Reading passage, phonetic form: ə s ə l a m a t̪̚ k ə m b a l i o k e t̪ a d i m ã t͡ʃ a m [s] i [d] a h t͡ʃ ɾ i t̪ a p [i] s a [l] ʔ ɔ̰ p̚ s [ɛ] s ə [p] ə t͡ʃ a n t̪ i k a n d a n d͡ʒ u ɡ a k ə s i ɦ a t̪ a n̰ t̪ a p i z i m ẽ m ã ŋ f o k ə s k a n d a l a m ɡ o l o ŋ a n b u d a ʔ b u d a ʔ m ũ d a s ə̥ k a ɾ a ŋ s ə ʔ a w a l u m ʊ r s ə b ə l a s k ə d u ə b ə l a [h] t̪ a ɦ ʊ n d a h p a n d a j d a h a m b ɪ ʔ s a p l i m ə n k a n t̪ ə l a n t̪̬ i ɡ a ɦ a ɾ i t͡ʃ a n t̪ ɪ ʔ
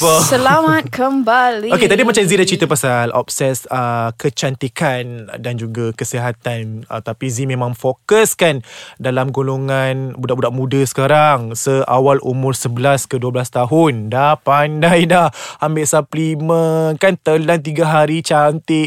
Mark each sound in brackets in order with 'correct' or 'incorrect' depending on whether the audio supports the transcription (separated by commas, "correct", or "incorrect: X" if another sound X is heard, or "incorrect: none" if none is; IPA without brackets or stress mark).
incorrect: z, correct, incorrect: a, correct, correct, incorrect: k, incorrect: s